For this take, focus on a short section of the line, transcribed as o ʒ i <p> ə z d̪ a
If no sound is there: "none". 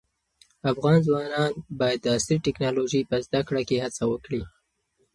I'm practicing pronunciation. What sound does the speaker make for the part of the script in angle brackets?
p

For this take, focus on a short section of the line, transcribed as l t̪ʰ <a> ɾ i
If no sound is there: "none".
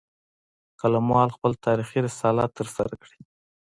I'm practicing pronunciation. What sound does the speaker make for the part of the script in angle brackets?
ɑ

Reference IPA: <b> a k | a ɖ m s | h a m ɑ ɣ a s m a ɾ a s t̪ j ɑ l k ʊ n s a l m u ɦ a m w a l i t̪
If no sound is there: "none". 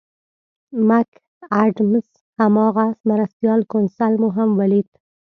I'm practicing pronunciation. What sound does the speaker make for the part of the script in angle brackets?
m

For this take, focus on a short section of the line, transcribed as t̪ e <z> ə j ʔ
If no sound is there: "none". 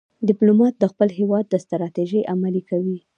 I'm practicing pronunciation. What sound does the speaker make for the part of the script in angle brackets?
ʒ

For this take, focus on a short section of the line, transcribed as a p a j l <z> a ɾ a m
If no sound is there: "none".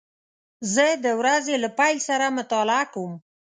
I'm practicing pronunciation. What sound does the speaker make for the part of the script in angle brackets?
s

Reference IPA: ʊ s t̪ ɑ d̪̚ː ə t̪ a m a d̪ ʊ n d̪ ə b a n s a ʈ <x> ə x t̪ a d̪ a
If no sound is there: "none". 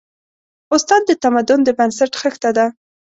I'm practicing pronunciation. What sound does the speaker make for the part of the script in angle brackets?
x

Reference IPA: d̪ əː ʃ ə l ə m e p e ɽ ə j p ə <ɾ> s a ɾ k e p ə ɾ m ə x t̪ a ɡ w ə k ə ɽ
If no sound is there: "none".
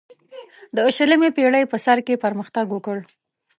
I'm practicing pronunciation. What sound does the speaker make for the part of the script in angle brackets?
none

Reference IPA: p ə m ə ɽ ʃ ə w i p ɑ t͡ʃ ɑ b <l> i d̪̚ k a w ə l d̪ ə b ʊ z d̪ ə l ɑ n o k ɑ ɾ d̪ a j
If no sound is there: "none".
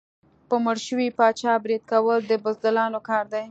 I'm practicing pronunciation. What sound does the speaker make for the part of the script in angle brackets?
ɾ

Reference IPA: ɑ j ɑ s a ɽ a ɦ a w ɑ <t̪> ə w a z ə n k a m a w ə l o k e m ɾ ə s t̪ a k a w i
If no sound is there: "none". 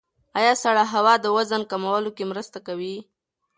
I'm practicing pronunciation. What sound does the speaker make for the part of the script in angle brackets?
d̪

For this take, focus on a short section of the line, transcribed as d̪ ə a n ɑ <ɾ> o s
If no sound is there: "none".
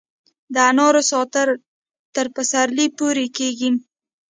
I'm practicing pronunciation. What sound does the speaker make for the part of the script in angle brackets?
ɾ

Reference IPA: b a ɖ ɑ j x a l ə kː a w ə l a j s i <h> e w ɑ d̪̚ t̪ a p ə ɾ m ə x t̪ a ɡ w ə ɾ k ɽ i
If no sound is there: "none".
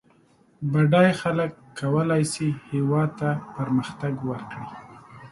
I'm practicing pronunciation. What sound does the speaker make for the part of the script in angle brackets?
h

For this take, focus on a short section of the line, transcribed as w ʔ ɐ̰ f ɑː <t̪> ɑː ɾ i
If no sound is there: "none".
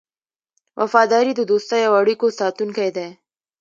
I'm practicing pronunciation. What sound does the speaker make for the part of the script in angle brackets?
d̪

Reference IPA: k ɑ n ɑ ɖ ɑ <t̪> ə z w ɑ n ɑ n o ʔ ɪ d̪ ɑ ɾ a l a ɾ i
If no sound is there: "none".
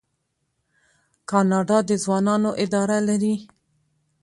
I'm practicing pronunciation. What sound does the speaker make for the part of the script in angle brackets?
d̪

